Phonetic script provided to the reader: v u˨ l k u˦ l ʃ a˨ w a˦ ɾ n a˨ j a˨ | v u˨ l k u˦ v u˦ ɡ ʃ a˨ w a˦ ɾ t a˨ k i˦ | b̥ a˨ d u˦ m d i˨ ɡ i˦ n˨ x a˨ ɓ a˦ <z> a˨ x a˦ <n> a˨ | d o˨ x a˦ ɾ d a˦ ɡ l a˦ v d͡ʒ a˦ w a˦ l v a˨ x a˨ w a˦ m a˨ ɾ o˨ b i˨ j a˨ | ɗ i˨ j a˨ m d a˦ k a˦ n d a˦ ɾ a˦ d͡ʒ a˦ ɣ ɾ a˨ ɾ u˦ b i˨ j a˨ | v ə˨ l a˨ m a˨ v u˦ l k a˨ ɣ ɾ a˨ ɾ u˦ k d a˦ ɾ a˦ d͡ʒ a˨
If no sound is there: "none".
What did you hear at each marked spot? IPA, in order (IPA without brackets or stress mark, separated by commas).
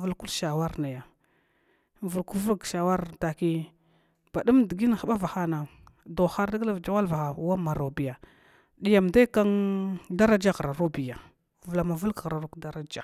v, n